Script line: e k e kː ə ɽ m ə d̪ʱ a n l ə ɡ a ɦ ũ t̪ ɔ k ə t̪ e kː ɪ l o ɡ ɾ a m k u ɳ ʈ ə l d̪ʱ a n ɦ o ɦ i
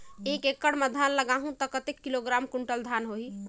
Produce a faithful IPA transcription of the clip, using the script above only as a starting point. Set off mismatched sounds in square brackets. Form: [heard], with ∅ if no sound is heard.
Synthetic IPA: e k e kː ə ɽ m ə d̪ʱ a n l ə ɡ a ɦ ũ t̪ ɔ k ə t̪ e kː [i] l o ɡ ɾ a m k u ɳ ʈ ə l d̪ʱ a n ɦ o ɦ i